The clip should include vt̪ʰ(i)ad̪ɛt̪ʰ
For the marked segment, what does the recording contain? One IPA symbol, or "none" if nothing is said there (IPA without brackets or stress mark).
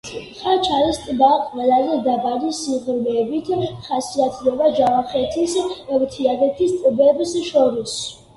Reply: i